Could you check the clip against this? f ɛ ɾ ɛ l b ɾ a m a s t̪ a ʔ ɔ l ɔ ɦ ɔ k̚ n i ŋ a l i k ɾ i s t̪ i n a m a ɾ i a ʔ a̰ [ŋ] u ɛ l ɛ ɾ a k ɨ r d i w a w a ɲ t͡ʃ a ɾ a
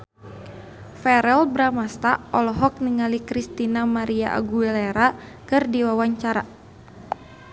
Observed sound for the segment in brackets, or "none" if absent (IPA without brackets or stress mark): ɡ